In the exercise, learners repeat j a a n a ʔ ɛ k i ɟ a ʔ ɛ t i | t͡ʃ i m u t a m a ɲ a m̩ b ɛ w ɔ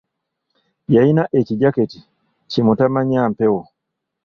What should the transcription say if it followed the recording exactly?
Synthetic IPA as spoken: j a i n a ʔ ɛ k i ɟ a k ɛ t i | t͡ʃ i m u t a m a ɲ a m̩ p ɛ w ɔ